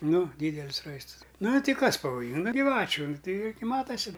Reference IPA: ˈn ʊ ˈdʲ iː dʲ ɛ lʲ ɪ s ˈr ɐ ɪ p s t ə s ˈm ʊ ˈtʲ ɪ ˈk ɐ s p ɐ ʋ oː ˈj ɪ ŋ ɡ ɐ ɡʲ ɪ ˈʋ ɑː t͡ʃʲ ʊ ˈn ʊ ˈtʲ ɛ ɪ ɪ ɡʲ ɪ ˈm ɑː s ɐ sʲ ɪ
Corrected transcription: ˈn ʊ ˈdʲ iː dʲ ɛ lʲ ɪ s ˈr ɐ ɪ s t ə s ˈn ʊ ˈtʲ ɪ ˈk ɐ s p ɐ ʋ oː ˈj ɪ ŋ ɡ ɐ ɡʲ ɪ ˈʋ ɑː t͡ʃʲ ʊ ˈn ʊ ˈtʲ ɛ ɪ ɪ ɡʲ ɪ ˈm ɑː t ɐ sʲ ɪ